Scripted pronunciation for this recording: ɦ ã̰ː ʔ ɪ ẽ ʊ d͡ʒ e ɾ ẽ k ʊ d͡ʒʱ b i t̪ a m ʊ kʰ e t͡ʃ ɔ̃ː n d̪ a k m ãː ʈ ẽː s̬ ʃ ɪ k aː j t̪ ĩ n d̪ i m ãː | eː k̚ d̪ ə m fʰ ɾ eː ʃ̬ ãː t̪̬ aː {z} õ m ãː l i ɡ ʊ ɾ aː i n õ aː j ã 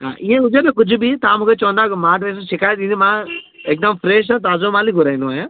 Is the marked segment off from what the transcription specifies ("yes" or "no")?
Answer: no